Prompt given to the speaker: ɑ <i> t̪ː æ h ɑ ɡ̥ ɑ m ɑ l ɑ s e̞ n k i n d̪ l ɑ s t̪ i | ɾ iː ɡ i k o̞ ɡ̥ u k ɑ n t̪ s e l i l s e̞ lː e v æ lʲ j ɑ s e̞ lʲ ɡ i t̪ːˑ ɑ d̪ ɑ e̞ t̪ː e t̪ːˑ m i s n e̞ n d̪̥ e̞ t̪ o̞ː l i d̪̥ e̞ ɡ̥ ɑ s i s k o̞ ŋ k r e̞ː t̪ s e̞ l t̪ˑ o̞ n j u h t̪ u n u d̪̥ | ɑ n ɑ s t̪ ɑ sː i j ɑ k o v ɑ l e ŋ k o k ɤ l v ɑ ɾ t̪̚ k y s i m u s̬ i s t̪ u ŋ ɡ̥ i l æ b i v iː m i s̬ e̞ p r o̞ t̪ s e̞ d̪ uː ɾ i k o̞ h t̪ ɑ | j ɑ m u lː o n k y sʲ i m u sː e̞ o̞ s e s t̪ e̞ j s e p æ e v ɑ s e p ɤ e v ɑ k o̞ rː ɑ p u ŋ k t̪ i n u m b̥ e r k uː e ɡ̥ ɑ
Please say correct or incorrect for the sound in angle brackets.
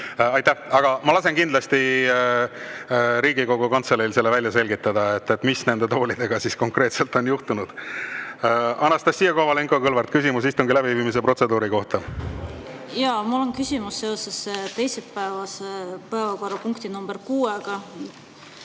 incorrect